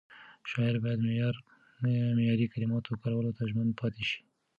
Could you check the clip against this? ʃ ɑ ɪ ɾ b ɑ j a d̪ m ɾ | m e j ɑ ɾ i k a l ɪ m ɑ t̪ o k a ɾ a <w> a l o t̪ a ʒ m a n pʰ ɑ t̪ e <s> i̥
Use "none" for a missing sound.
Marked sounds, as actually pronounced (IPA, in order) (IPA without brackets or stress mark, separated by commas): w, ʃ